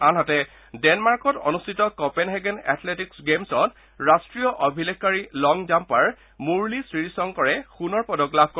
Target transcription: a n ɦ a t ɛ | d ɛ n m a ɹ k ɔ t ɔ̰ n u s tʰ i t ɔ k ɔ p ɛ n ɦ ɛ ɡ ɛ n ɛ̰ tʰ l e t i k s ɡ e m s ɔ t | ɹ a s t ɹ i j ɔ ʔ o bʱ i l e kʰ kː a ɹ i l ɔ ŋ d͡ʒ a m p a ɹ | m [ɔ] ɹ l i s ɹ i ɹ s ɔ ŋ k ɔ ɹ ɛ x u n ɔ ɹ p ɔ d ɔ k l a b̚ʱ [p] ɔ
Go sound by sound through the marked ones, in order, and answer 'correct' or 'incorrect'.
incorrect, incorrect

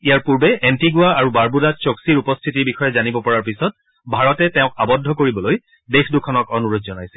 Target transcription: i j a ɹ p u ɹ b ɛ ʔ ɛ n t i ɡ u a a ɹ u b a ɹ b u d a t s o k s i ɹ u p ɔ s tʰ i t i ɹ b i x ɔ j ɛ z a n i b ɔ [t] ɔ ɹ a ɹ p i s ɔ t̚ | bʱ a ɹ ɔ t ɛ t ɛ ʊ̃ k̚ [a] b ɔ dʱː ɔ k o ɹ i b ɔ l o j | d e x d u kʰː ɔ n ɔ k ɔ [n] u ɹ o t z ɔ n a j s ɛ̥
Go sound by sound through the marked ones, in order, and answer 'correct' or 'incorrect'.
incorrect, correct, correct

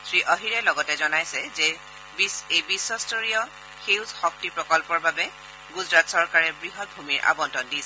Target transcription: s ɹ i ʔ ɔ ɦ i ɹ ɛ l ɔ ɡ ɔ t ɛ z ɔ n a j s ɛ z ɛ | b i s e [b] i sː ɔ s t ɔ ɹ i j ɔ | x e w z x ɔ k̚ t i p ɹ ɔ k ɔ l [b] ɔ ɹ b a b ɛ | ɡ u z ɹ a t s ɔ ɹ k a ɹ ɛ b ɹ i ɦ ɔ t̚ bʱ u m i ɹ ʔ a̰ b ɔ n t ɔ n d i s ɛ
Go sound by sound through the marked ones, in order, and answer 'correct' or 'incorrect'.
correct, incorrect

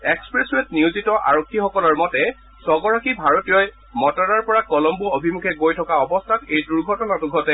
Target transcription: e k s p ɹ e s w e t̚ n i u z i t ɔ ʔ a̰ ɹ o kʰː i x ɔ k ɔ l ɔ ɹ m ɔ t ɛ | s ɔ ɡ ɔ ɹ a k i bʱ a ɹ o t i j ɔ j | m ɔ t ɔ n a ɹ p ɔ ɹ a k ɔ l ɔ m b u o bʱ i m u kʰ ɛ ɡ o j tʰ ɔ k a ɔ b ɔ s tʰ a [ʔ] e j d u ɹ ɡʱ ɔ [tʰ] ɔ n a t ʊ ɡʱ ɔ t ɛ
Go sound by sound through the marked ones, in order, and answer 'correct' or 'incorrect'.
incorrect, incorrect

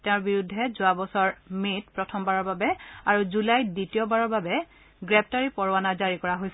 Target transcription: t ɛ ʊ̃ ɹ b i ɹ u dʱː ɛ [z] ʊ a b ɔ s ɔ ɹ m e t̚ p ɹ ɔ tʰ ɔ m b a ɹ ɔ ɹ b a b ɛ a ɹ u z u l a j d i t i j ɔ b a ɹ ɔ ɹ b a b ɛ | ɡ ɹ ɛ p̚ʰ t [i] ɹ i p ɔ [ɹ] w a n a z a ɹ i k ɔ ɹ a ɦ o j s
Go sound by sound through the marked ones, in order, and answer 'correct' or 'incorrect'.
correct, incorrect, correct

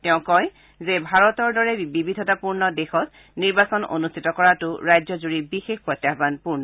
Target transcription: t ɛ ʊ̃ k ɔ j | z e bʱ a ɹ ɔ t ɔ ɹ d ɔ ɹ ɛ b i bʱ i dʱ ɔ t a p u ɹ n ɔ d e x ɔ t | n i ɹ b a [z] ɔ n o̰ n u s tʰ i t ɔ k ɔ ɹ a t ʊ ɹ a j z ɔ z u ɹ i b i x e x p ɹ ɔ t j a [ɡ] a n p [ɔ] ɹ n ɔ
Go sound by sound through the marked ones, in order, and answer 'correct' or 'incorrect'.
incorrect, incorrect, incorrect

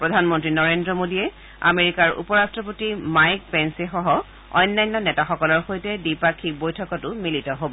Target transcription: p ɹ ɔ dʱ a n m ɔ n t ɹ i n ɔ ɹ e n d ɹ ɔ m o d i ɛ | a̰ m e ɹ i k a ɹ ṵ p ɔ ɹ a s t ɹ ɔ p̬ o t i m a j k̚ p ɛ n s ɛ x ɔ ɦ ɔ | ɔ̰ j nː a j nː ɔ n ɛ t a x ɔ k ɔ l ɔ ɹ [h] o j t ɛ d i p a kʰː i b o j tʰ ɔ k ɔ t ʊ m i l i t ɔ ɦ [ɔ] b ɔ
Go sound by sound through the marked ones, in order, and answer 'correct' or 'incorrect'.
incorrect, incorrect

